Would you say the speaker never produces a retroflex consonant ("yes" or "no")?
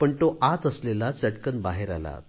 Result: no